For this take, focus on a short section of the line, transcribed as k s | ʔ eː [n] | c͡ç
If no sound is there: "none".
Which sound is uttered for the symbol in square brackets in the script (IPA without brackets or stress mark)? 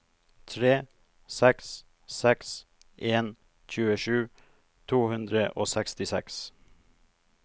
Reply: n